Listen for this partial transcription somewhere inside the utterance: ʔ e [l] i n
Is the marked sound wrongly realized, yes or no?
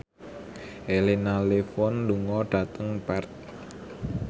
no